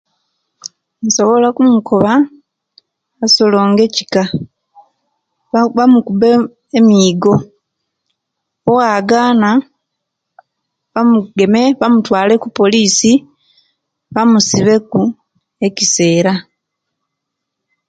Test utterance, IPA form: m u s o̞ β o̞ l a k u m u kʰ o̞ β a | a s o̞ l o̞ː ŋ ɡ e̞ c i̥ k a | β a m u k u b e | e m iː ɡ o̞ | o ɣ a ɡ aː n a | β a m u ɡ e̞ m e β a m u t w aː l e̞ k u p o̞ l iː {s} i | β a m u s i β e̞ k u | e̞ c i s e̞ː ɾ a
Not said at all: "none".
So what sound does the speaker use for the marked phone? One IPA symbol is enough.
s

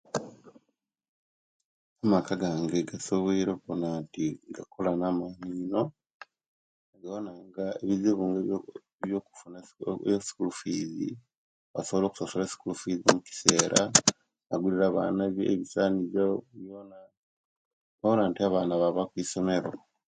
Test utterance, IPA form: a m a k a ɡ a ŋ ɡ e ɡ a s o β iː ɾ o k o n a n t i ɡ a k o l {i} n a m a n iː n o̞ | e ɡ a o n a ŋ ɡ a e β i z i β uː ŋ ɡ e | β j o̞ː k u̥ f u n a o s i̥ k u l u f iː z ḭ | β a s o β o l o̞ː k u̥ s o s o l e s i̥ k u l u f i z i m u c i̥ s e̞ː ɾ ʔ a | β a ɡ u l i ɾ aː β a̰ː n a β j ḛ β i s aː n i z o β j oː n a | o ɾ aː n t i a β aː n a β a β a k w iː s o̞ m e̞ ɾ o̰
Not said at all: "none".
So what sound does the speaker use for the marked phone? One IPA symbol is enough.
a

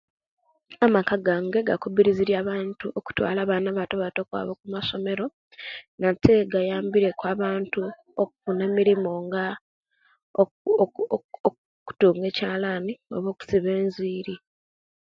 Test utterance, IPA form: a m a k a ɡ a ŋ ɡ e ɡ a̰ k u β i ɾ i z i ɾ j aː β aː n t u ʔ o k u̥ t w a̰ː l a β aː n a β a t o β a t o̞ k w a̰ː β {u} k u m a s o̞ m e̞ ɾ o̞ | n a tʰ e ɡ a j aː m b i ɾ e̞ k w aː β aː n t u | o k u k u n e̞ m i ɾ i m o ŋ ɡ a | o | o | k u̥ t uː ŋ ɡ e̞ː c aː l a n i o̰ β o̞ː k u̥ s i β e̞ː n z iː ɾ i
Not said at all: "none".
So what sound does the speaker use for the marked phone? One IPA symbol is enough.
o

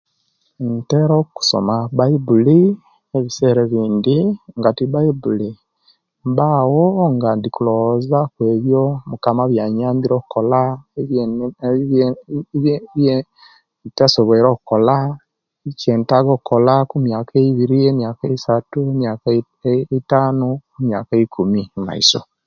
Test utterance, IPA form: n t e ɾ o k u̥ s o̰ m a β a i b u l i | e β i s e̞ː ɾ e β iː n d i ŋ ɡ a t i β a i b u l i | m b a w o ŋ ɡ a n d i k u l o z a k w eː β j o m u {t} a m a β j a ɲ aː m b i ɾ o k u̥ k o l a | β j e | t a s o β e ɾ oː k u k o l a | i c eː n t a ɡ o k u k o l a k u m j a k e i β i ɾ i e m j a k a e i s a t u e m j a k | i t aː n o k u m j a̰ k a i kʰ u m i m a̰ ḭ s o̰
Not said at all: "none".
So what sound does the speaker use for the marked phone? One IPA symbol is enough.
k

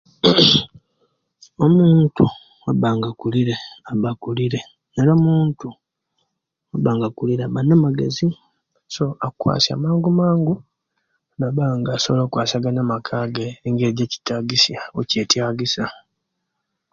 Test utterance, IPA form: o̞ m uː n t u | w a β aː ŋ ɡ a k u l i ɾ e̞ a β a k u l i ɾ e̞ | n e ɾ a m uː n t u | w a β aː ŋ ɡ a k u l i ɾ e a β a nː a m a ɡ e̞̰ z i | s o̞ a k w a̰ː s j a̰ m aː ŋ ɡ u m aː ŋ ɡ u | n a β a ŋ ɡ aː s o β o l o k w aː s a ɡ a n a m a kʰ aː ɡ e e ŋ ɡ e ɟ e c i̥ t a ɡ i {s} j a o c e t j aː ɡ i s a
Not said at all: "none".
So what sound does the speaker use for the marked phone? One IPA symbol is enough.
s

